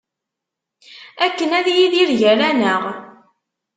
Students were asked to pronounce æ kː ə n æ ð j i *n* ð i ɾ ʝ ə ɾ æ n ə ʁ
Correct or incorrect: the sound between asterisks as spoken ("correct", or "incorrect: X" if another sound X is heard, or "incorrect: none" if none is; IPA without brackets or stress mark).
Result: incorrect: none